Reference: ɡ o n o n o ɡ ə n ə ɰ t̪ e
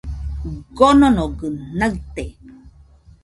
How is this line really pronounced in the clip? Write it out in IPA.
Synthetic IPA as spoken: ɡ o n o n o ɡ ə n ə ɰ t̪ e